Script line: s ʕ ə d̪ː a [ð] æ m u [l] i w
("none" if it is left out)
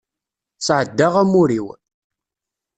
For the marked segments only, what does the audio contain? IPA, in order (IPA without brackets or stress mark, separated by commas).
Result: ʁ, ɾ